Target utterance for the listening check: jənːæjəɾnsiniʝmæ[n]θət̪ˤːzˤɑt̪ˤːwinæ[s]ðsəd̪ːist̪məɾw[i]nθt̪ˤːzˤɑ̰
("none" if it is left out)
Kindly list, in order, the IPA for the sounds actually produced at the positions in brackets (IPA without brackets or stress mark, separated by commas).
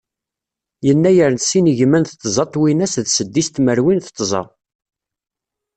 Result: n, s, i